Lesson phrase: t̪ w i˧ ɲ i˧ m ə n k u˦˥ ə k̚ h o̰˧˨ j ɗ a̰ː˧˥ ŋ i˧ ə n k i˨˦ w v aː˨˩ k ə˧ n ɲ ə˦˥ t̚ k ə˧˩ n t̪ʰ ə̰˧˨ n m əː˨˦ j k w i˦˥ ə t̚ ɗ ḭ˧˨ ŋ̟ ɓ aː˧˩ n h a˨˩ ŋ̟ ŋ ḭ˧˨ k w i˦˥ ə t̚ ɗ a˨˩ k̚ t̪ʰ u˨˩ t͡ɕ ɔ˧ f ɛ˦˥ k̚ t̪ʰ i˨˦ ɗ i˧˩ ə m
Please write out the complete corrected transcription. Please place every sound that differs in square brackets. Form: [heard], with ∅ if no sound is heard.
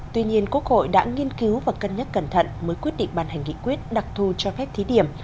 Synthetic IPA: t̪ w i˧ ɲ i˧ [∅] ə n k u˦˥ ə k̚ h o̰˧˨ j ɗ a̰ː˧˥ ŋ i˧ ə n k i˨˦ w v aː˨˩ k ə˧ n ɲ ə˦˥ t̚ k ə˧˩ n t̪ʰ ə̰˧˨ n m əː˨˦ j k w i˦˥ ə t̚ ɗ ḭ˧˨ ŋ̟ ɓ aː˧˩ n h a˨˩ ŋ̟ ŋ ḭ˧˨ k w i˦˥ ə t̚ ɗ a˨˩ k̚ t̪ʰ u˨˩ t͡ɕ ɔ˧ f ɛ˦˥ [p̚] t̪ʰ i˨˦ ɗ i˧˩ ə m